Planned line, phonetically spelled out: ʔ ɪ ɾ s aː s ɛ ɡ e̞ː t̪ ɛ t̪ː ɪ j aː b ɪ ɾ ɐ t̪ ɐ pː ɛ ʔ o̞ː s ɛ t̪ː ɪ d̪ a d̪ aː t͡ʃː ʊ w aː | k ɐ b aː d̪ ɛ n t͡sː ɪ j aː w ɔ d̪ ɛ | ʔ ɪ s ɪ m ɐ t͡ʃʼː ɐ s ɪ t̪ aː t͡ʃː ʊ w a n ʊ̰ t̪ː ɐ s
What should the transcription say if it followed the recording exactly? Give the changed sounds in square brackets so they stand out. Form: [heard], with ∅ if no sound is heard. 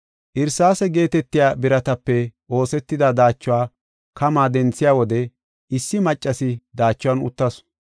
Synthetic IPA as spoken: ʔ ɪ ɾ s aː s ɛ ɡ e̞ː t̪ ɛ t̪ː ɪ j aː b ɪ ɾ ɐ t̪ ɐ pː ɛ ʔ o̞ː s ɛ t̪ː ɪ d̪ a d̪ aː t͡ʃː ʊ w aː | k ɐ [m] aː d̪ ɛ n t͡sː ɪ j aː w ɔ d̪ ɛ | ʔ ɪ [sː] ɪ m ɐ t͡ʃʼː ɐ s ɪ [d̪] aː t͡ʃː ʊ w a n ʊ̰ t̪ː ɐ s